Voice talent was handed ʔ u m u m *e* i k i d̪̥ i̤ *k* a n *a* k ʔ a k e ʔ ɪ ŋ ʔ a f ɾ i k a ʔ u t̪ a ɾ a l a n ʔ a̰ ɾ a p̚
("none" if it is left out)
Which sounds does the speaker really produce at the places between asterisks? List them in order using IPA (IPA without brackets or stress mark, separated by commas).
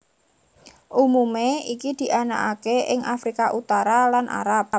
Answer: e, ʔ, a